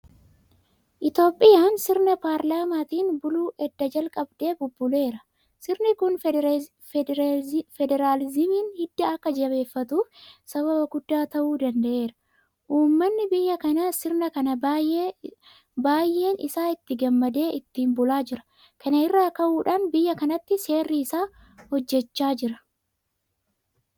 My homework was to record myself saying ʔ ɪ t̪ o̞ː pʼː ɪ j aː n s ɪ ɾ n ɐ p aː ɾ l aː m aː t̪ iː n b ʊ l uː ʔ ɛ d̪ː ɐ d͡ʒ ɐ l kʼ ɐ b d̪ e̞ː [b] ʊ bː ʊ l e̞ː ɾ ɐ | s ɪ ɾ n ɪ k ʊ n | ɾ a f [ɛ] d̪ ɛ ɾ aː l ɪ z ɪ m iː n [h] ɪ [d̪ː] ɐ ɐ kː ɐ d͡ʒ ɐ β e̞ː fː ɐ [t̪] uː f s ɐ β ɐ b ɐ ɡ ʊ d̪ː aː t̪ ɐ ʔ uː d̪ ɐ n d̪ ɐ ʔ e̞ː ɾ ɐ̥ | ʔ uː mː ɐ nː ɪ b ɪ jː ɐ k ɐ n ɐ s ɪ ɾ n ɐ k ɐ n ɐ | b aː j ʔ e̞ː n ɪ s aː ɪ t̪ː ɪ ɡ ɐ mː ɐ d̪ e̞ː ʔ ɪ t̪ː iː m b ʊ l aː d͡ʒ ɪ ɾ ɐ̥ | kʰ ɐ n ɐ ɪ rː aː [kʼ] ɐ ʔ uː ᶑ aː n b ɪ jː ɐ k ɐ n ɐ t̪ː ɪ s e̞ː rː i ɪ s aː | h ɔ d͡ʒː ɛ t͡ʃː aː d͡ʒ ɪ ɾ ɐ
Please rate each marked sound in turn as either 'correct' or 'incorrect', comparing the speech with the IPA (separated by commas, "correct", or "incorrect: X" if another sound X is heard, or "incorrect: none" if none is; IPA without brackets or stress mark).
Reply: correct, correct, correct, correct, correct, incorrect: k